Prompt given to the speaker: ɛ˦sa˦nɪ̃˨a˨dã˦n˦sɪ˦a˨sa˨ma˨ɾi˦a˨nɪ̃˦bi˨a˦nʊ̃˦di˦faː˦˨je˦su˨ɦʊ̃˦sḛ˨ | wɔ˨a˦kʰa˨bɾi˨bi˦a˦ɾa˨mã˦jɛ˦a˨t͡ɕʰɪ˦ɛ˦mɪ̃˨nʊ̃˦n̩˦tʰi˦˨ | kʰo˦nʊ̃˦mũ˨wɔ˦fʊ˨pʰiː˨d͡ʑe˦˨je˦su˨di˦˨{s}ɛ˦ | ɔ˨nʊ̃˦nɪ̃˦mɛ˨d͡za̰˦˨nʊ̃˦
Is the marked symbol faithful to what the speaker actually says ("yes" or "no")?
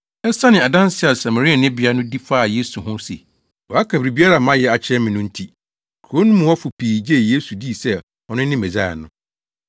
yes